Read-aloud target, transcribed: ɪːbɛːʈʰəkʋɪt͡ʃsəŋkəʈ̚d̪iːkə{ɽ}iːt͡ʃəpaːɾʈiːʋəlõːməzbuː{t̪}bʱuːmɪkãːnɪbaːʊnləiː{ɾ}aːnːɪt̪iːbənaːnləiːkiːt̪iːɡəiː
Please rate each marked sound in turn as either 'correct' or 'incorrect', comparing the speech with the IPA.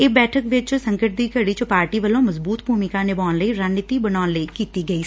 correct, correct, correct

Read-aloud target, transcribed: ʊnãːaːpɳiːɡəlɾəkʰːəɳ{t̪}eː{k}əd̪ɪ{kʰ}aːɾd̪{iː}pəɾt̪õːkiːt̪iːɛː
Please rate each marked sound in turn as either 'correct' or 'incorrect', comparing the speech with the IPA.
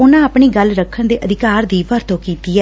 incorrect, incorrect, incorrect, correct

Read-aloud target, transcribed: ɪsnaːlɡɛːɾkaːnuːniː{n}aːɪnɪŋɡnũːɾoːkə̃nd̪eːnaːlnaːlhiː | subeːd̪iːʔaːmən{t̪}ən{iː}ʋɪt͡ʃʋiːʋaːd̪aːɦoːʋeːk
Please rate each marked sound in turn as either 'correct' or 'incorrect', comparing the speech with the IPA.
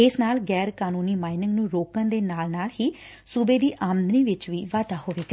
incorrect, incorrect, correct

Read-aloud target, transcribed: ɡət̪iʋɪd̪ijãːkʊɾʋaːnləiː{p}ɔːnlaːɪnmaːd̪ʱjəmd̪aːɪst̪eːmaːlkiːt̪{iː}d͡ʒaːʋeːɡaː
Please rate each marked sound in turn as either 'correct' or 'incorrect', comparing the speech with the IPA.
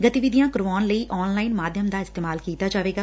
incorrect, incorrect

